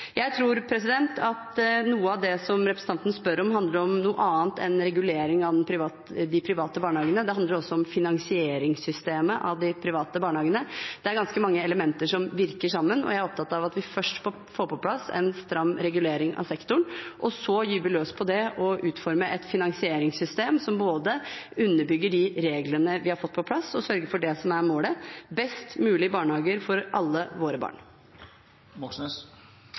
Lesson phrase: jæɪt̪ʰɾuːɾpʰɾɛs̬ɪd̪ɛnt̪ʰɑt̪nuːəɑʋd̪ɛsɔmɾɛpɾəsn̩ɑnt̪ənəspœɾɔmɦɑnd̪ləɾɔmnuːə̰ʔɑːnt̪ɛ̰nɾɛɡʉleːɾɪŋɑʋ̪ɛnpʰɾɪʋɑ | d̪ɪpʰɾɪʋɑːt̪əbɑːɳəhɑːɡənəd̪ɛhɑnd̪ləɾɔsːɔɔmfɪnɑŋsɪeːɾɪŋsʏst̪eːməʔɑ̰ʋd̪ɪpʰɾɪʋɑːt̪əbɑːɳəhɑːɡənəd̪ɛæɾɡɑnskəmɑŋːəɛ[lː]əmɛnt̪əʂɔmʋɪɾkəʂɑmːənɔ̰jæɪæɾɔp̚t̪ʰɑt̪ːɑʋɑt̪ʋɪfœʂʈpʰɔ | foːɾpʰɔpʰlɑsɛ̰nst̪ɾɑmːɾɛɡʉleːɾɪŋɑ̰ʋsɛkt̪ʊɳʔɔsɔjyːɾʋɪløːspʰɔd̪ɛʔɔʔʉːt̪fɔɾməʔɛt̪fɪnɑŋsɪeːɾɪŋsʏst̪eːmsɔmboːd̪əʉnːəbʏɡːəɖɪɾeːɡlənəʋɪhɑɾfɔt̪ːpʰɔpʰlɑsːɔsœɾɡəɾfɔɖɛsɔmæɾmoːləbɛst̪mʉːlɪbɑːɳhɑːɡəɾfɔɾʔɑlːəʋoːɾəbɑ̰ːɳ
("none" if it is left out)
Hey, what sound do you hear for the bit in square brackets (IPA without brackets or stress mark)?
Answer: l